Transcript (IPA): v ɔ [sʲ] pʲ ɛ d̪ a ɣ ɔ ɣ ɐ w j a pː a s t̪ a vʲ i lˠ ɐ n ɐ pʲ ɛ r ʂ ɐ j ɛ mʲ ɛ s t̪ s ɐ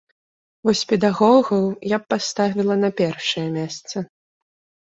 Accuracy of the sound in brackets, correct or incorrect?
correct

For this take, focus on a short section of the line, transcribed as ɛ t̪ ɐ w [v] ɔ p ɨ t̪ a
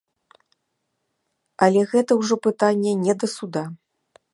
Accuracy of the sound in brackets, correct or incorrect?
incorrect: ʐ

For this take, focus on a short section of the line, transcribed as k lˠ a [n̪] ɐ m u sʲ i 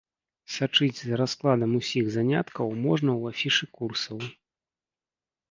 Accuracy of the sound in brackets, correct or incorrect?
incorrect: d̪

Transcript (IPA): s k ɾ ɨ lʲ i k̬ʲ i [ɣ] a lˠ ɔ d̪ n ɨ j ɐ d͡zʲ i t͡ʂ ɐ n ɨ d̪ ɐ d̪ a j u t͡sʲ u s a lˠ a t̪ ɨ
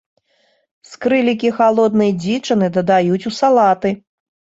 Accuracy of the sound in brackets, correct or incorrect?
incorrect: x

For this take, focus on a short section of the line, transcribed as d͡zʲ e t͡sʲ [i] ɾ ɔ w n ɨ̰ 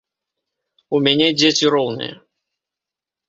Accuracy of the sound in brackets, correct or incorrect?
correct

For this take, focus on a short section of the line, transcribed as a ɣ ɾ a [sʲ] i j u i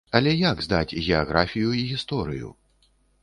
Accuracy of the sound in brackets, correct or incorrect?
incorrect: fʲ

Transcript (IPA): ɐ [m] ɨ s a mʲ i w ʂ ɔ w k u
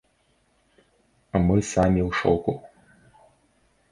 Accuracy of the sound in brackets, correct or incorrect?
correct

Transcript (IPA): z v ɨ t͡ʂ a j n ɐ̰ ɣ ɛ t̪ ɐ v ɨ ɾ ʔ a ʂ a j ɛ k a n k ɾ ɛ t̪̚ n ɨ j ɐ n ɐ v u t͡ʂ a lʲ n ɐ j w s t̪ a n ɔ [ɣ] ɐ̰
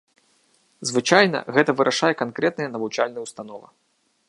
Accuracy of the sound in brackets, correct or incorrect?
incorrect: v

